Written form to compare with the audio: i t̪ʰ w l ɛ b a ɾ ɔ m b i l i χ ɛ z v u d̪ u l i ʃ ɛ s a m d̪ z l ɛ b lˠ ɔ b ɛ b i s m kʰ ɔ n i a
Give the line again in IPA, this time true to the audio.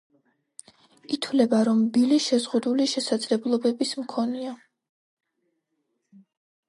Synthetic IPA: i t̪ʰ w l ɛ b a ɾ ɔ m b i l i ʃ ɛ z ʁ u d̪ u l i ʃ ɛ s a d̪ z l ɛ b lˠ ɔ b ɛ b i s m kʰ ɔ n i a